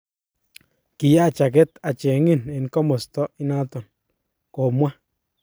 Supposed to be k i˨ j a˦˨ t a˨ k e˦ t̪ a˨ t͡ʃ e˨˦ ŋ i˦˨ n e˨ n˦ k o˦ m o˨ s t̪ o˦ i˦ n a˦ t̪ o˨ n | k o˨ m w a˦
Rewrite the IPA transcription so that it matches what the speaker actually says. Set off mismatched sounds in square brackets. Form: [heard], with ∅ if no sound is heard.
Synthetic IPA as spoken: k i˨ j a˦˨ [t͡ʃ] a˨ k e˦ t̪ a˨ t͡ʃ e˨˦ ŋ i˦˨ n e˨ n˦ k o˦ m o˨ s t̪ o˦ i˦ n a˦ t̪ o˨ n | k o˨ m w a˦